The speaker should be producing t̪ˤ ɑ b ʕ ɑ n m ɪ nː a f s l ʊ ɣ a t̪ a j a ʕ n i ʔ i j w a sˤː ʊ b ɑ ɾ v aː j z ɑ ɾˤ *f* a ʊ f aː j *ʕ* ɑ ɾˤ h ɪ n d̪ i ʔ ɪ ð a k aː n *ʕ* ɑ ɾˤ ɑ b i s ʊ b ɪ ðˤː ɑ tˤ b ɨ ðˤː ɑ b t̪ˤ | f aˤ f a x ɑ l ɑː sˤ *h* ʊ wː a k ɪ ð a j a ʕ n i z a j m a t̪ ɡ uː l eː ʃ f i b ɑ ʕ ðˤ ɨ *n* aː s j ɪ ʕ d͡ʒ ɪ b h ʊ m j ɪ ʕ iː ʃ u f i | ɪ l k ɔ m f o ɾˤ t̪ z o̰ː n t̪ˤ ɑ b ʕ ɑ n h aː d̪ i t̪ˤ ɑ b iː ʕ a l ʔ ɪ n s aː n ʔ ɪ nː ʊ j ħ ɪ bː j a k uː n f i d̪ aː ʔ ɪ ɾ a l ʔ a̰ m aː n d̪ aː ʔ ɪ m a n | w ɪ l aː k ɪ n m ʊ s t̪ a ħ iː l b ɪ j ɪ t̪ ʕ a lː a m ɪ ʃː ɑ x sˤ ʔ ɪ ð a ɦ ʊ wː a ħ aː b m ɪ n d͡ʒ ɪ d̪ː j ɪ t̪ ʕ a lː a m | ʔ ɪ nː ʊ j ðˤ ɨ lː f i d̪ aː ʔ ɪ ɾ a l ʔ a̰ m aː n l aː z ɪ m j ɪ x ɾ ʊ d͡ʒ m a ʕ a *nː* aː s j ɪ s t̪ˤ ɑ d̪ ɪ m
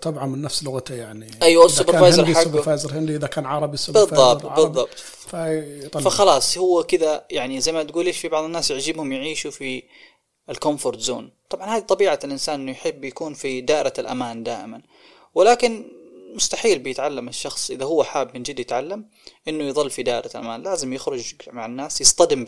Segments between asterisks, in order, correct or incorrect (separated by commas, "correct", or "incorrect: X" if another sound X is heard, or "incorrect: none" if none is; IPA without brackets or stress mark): incorrect: ħ, incorrect: z, correct, correct, incorrect: nː, correct